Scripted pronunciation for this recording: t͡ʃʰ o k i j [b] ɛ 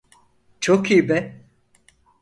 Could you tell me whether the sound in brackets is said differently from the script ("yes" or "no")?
no